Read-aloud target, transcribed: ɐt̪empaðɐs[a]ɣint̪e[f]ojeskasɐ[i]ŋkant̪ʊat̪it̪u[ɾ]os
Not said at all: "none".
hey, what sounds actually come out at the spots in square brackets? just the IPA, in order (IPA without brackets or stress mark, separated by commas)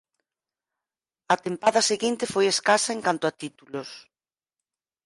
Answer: e, f, e, l